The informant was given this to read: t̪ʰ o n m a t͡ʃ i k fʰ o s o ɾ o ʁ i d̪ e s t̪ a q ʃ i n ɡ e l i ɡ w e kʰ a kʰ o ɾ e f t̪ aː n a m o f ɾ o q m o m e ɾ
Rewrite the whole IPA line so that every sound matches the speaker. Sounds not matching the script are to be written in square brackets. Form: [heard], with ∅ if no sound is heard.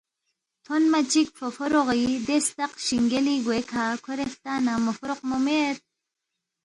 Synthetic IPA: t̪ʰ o n m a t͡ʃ i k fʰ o [f] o ɾ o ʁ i d̪ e s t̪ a q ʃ i [ŋ] ɡ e l i ɡ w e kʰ a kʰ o ɾ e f t̪ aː n a m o f ɾ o q m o m e ɾ